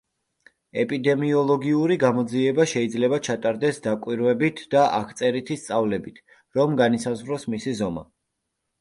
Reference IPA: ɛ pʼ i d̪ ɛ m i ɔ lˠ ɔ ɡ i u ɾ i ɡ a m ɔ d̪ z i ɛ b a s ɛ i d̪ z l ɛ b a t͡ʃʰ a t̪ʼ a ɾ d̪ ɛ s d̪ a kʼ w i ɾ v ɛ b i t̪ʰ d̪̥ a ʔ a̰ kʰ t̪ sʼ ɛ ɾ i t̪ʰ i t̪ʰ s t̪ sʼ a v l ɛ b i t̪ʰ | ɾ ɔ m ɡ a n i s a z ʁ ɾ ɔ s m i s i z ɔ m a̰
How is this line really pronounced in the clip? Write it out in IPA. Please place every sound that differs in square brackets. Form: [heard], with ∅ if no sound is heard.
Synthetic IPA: ɛ pʼ i d̪ ɛ m i ɔ lˠ ɔ ɡ i u ɾ i ɡ a m ɔ d̪ z i ɛ b a [ʃ] ɛ i d̪ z l ɛ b a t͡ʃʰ a t̪ʼ a ɾ d̪ ɛ s d̪ a kʼ w i ɾ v ɛ b i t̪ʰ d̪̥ a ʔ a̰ kʰ t̪ sʼ ɛ ɾ i t̪ʰ i [∅] s t̪ sʼ a v l ɛ b i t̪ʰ | ɾ ɔ m ɡ a n i s a z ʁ ɾ ɔ s m i s i z ɔ m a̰